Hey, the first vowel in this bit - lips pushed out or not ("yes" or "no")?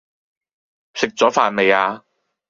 no